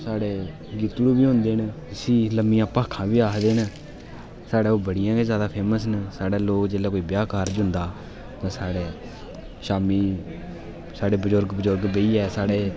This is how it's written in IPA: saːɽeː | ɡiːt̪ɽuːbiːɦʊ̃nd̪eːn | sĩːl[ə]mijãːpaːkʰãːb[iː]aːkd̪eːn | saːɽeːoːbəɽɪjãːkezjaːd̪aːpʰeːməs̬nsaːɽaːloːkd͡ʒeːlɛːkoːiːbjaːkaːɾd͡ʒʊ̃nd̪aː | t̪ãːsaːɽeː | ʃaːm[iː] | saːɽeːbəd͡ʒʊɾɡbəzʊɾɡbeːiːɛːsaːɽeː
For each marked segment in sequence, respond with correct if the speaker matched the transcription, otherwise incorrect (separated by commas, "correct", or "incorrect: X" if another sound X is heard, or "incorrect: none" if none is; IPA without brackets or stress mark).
correct, correct, correct